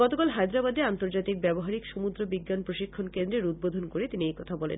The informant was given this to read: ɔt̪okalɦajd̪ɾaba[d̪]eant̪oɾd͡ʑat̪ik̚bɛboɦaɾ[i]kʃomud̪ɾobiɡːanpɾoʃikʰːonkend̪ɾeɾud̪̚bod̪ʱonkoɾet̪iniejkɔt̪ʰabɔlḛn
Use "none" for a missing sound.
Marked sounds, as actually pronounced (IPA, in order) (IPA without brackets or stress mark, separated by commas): d̪, i